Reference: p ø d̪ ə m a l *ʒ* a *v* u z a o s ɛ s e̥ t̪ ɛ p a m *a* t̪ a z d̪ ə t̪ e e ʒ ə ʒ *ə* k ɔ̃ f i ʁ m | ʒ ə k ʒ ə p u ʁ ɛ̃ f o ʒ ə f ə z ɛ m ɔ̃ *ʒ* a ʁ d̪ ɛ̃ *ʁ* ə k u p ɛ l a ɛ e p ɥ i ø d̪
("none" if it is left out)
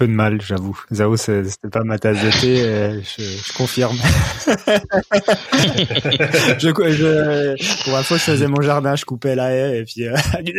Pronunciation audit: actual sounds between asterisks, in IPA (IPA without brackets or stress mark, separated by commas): ʒ, v, a, ə, ʒ, ʒ